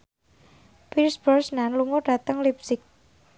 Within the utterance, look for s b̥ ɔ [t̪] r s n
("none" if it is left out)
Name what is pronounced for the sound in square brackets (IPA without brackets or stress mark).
none